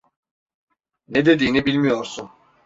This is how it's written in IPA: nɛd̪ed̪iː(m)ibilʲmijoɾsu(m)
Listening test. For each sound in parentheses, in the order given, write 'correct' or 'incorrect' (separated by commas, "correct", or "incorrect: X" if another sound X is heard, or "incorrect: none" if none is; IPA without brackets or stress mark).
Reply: incorrect: n, incorrect: n